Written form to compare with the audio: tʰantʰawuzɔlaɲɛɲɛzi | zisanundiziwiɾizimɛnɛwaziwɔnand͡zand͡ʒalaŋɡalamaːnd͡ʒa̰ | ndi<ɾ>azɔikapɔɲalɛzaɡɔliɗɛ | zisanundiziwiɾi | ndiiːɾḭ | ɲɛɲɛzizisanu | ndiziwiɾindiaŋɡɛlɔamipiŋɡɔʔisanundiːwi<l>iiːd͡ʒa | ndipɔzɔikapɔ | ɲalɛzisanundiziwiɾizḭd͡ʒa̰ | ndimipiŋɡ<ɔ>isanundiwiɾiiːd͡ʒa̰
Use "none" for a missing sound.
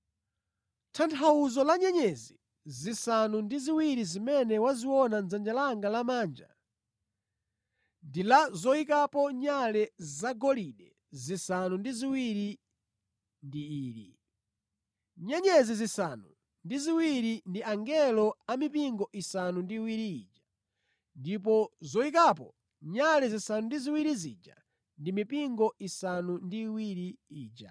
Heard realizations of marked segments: l, ɾ, ɔ

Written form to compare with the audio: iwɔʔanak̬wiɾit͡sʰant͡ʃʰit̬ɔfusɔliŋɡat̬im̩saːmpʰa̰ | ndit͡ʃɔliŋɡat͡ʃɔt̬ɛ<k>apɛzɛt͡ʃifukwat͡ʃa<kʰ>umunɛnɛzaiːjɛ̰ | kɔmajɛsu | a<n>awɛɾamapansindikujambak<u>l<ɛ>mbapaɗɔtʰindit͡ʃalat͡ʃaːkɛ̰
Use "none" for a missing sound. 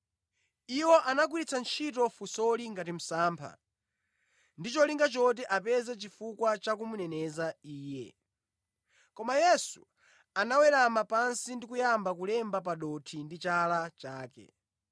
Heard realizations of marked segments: ʔ, k, n, u, ɛ

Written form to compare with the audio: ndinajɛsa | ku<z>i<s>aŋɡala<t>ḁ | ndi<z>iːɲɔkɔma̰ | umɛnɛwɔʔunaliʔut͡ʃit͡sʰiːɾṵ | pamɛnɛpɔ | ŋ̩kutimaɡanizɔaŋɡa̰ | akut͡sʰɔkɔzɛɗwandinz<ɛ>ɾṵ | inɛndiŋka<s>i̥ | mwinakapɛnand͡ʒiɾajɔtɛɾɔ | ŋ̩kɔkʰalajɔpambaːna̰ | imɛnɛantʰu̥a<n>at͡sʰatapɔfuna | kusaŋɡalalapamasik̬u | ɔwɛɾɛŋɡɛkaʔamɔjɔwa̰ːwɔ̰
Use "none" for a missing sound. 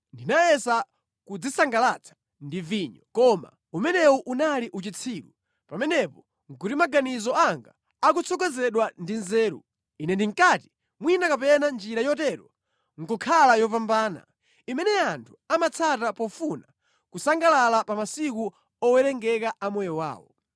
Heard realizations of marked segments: d͡z, s, t͡sʰ, v, ɛː, t, m

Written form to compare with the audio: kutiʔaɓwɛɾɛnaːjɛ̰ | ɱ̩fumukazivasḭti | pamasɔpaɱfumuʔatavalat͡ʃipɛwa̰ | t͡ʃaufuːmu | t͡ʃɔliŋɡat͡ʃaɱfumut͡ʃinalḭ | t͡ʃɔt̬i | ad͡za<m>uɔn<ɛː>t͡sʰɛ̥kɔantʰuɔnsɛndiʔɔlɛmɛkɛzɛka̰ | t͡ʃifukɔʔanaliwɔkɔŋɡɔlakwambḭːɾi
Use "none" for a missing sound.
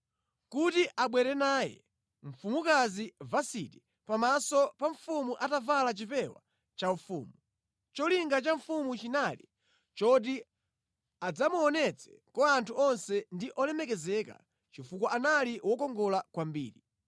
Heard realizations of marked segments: m, ɛ

